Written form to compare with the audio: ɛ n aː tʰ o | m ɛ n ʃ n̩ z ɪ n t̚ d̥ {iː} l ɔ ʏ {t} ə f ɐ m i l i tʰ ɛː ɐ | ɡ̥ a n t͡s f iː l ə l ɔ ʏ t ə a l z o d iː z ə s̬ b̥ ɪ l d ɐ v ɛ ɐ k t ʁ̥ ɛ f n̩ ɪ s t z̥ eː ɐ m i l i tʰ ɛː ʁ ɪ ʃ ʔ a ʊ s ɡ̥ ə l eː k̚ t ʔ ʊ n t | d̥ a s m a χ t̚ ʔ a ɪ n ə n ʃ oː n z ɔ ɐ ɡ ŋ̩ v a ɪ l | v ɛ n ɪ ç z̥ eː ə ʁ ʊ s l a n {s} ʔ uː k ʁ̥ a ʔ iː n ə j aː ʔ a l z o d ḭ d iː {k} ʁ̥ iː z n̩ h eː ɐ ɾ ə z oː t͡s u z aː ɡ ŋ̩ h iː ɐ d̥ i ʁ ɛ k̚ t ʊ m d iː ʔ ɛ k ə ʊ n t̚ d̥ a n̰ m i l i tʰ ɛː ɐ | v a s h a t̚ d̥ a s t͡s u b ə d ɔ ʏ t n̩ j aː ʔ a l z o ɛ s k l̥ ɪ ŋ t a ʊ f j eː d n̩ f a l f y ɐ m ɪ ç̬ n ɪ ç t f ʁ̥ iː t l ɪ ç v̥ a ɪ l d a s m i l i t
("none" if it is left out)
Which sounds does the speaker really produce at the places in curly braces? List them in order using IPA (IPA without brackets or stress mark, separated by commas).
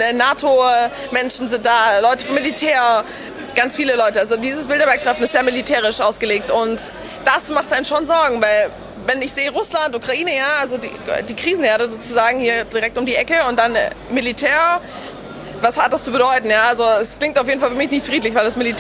aː, t, t, k